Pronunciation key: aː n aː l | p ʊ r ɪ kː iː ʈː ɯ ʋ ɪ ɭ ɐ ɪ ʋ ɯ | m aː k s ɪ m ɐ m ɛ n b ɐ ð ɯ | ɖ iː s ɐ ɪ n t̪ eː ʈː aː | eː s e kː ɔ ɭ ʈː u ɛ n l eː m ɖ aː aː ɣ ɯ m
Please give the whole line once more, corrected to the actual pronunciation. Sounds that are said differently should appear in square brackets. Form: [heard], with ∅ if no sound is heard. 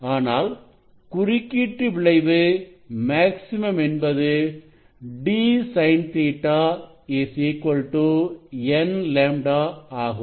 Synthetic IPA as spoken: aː n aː l | [k] ʊ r ɪ kː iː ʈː ɯ ʋ ɪ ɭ ɐ ɪ ʋ ɯ | m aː k s ɪ m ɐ m ɛ n b ɐ ð ɯ | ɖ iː s ɐ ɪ n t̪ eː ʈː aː | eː s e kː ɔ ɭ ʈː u ɛ n l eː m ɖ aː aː ɣ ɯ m